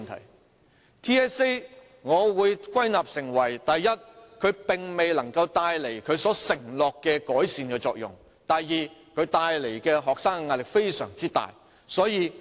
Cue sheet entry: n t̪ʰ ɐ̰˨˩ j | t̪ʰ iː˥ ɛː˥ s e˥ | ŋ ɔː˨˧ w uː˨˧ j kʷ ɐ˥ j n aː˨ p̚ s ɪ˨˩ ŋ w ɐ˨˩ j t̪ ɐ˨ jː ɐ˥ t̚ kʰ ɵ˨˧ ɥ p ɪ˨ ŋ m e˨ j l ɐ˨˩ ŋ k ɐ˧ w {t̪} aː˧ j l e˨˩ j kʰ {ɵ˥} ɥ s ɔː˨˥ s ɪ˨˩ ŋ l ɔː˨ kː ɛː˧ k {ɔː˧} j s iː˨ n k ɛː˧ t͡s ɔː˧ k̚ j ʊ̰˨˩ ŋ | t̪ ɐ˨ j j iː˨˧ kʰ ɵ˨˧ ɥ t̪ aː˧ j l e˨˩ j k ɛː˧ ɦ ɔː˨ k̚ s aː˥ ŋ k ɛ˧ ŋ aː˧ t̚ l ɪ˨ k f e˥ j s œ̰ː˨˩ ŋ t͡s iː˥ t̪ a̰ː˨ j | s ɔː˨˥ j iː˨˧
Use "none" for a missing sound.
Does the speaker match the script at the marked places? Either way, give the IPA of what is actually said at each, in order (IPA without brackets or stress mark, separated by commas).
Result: t̪, ɵ˨˧, ɔː˨˥